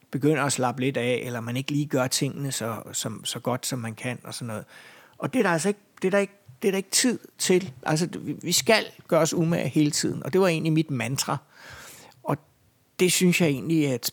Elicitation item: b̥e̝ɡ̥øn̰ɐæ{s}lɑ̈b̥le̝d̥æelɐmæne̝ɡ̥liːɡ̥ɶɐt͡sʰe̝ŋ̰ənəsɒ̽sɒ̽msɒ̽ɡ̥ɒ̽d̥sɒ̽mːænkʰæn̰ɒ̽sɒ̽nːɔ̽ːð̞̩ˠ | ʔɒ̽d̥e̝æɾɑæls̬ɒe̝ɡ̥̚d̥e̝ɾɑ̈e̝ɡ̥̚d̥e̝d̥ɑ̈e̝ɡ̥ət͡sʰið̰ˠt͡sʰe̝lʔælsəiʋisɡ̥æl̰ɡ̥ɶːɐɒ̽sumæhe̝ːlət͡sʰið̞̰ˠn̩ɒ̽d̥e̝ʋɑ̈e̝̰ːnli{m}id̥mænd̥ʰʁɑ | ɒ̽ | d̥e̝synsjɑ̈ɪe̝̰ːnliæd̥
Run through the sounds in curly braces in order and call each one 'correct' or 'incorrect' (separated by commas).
correct, correct